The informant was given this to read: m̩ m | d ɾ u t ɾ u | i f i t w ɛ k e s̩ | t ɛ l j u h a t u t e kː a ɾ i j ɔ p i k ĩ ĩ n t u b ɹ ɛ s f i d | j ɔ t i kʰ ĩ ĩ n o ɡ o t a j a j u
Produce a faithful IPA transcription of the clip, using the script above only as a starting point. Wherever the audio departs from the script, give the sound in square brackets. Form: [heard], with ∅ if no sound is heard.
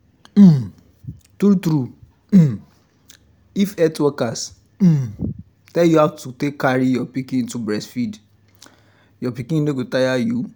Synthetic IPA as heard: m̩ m | [t] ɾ u t ɾ u | i f [ɛ] t w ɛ k [a] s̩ | t ɛ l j u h a t u t e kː a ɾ i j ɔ p i k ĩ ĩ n t u b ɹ ɛ s f i d | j ɔ [p] i [k] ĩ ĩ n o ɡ o t a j a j u